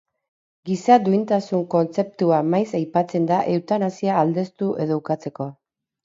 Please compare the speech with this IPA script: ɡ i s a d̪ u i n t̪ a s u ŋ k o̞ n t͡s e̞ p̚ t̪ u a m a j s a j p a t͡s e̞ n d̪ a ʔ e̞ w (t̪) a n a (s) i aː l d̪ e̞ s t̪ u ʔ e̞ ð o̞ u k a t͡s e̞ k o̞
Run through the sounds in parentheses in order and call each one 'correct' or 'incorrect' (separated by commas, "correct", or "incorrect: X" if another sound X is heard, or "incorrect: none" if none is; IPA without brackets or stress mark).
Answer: correct, correct